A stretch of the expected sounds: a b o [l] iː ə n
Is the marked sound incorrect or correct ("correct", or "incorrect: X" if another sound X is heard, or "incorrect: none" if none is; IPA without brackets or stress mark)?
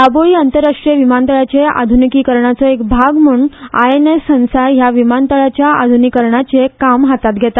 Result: incorrect: ɭ